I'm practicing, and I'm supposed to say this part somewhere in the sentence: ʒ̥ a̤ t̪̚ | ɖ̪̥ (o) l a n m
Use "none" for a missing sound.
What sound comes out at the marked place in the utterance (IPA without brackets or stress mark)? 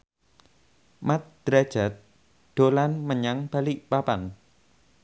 o